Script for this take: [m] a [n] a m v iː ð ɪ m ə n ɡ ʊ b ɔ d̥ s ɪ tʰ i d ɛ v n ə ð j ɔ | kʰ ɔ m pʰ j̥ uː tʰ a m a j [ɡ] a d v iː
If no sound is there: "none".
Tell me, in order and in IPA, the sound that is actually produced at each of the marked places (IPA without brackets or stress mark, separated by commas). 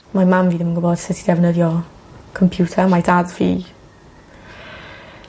m, m, d